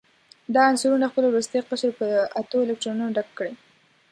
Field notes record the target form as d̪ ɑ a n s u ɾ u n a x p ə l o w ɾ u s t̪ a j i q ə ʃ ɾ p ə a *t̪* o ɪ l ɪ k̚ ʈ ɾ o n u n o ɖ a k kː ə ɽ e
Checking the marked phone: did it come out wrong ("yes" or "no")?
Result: no